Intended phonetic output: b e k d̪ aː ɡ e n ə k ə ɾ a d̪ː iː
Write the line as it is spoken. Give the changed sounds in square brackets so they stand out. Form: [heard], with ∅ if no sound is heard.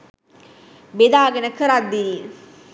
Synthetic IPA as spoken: b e [∅] d̪ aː ɡ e n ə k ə ɾ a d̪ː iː